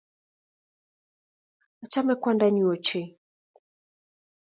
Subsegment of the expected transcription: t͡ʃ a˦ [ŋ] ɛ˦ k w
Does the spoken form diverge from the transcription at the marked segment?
yes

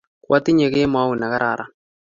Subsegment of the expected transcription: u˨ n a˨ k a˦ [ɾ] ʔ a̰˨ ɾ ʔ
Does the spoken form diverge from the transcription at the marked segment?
no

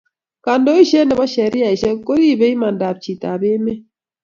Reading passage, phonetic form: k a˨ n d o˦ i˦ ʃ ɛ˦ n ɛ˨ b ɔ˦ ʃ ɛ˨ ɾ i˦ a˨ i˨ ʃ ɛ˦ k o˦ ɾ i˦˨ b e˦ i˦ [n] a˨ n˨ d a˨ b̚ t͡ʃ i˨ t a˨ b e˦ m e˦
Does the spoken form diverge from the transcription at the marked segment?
yes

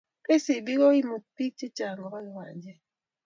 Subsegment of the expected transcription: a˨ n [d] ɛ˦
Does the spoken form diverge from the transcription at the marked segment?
yes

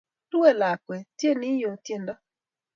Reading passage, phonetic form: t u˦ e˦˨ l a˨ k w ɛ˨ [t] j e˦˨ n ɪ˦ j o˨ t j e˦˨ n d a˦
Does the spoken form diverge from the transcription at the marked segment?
no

